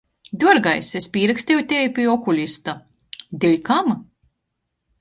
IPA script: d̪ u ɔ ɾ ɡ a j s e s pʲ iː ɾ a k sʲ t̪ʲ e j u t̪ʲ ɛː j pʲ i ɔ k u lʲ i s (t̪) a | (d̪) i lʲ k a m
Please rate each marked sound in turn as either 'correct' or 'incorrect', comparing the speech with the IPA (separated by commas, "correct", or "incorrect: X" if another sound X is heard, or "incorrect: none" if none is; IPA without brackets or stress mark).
correct, correct